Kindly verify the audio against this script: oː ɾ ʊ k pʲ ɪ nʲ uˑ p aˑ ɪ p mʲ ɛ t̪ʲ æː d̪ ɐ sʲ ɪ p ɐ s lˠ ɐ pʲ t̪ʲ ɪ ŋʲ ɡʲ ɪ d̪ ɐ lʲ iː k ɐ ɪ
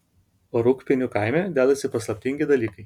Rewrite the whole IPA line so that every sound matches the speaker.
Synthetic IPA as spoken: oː ɾ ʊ k pʲ ɪ nʲ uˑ k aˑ ɪ mʲ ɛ d̪ʲ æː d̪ ɐ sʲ ɪ p ɐ s lˠ ɐ pʲ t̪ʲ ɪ ŋʲ ɡʲ ɪ d̪ ɐ lʲ iː k ɐ ɪ

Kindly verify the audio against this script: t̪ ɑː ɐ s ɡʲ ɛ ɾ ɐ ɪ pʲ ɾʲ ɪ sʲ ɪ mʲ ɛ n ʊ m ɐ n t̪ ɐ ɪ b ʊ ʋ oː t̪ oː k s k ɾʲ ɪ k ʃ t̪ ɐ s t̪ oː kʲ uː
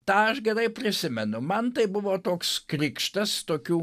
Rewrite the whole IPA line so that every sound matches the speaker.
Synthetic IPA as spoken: t̪ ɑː ɐ ʃ ɡʲ ɛ ɾ ɐ ɪ pʲ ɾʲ ɪ sʲ ɪ mʲ ɛ n ʊ m ɐ n t̪ ɐ ɪ b ʊ ʋ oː t̪ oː k s k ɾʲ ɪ k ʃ t̪ ɐ s t̪ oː kʲ uː

